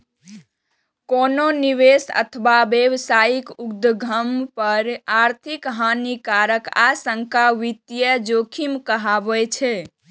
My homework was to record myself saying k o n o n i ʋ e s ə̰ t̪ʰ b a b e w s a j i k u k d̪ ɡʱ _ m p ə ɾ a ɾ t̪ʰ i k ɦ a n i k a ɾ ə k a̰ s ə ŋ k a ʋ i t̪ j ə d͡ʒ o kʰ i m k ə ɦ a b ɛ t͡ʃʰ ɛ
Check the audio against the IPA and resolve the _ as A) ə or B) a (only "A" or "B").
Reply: A